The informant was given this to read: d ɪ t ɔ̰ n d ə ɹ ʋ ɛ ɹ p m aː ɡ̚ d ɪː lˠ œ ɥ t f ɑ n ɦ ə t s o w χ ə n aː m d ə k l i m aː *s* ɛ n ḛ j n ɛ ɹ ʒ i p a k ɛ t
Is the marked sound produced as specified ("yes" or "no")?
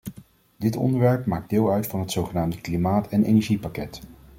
no